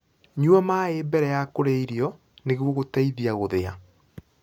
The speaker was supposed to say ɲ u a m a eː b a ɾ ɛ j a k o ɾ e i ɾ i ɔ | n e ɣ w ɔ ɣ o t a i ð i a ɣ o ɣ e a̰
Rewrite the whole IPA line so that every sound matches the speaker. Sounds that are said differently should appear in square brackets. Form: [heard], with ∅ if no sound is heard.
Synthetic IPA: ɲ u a m a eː b [ɛ] ɾ ɛ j a k o ɾ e i ɾ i ɔ | n e ɣ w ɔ ɣ o t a i ð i a ɣ o [ð] e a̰